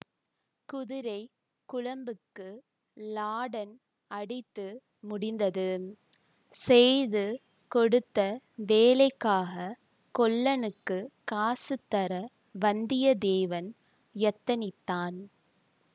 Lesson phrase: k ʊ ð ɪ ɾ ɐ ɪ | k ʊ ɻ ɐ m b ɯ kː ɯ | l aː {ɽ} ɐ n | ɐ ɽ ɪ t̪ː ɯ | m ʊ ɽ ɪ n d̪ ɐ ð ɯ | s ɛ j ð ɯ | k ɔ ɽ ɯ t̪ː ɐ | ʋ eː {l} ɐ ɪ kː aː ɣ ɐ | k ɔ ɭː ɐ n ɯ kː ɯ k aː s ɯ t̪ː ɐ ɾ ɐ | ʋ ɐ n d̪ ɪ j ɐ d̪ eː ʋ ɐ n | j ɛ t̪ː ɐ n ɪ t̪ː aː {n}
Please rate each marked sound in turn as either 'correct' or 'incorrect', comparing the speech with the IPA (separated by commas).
correct, correct, correct